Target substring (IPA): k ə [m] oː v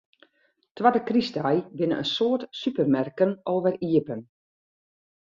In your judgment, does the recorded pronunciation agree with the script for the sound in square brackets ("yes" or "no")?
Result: no